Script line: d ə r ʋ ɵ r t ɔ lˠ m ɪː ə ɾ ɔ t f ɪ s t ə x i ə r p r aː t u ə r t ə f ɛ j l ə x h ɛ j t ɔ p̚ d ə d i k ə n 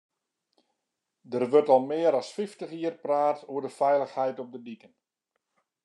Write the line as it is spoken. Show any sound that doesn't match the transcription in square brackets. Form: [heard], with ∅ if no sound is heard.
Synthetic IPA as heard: d ə r ʋ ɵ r t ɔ lˠ m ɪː ə ɾ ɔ [s] f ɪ [f] t ə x i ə r p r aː t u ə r [d] ə f ɛ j l ə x h ɛ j t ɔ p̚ d ə d i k ə n